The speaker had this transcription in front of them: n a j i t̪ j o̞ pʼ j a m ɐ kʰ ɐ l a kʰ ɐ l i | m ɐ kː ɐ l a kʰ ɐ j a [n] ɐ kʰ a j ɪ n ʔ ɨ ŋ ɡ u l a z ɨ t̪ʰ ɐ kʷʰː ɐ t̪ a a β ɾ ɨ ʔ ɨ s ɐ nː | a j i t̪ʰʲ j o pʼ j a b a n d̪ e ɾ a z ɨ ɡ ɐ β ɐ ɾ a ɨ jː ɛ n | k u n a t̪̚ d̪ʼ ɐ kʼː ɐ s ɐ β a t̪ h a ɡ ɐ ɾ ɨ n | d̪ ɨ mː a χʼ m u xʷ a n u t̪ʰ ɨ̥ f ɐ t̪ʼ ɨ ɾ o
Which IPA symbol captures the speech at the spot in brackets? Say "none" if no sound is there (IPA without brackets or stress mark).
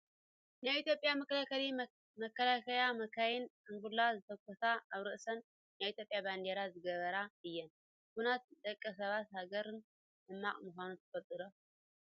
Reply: m